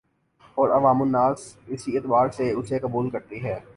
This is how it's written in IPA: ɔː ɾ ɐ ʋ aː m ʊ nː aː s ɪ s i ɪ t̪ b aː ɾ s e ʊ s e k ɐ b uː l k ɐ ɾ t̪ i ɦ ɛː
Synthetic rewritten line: ɔː ɾ ɐ ʋ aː m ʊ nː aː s ɪ s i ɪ t̪ b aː ɾ s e ʊ s e k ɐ b uː l k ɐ ɾ t̪ i ɦ ɛː

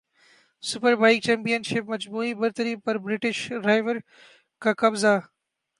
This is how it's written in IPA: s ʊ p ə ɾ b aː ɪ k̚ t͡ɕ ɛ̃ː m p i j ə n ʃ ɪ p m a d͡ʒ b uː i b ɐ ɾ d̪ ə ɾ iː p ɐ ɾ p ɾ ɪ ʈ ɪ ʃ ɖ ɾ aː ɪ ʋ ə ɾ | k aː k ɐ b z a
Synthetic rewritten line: s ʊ p ə ɾ b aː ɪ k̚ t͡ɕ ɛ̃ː m p i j ə n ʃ ɪ p m ɐ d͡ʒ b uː i b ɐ ɾ t̪ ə ɾ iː p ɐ ɾ b ɾ ɪ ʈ ɪ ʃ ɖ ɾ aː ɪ ʋ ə ɾ | k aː k ɐ b z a

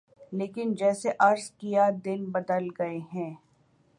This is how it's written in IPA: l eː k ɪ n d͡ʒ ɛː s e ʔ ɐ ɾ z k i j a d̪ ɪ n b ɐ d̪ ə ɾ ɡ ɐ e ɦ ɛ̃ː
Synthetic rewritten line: l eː k ɪ n d͡ʒ ɛː s e ʔ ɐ ɾ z k i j a d̪ ɪ n b ɐ d̪ ə l ɡ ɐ e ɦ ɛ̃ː

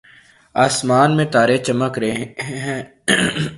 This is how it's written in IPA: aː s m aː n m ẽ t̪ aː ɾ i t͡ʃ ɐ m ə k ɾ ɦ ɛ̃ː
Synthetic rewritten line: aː s m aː n m ẽ t̪ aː ɾ e t͡ʃ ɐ m ə k ɾ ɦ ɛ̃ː

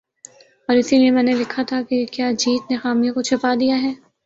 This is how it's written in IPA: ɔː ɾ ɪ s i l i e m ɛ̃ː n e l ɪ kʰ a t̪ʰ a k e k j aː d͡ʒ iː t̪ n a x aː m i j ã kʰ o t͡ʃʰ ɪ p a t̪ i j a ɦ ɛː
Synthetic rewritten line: ɔː ɾ ɪ s i l i e m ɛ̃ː n e l ɪ kʰ a t̪ʰ a k e k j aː d͡ʒ iː t̪ n e x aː m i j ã k o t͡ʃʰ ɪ p a d̪ i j a ɦ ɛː

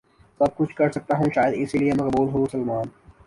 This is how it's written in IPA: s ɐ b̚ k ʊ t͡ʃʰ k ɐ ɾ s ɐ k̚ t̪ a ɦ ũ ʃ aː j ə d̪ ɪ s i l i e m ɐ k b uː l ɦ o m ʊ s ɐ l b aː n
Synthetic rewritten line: s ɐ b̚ k ʊ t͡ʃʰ k ɐ ɾ s ɐ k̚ t̪ a ɦ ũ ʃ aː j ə d̪ ɪ s i l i e m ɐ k b uː l ɦ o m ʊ s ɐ l m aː n

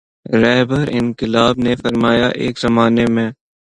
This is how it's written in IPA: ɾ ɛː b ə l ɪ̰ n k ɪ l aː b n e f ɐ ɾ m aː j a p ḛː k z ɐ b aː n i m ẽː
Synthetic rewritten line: ɾ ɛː b ə ɾ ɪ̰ n k ɪ l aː b n e f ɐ ɾ m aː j a ʔ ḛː k z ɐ m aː n e m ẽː

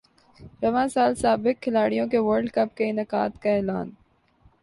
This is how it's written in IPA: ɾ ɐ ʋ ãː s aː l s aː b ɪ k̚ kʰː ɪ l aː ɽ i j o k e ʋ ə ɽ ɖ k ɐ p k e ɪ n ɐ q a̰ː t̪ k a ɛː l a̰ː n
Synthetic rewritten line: ɾ ɐ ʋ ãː s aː l s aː b ɪ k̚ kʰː ɪ l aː ɽ i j õ k e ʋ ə ɾ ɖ k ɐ p k e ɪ n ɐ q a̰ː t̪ k a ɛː l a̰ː n

